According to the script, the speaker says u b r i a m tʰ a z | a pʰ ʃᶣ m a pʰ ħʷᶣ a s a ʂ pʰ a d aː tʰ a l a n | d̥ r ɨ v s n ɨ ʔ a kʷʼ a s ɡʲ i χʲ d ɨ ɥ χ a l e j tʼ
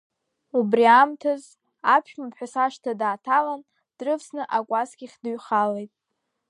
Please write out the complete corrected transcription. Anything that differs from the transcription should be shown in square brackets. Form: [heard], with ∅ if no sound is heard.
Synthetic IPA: u b r i a m tʰ a z | a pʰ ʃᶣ m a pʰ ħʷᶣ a s a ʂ [tʰ] a d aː tʰ a l a n | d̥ r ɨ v s n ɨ ʔ a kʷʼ a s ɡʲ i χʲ d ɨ ɥ χ a l e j tʼ

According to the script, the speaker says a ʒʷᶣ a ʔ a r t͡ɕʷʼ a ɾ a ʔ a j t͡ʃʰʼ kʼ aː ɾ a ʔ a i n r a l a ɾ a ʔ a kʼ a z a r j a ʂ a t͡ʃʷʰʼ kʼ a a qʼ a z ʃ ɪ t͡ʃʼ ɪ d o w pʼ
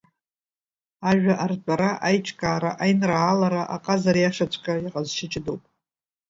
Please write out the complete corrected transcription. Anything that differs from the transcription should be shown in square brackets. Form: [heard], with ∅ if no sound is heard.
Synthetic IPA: a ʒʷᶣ a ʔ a r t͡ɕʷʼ a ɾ a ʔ a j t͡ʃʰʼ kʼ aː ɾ a ʔ a [j] n r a l a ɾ a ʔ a [qʼ] a z a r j a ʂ a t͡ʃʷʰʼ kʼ a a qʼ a z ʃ ɪ t͡ʃʼ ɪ d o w pʼ

